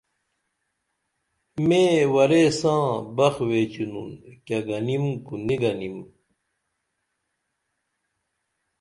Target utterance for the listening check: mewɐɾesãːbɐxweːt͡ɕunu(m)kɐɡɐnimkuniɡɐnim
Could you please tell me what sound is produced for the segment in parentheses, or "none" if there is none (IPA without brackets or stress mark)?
n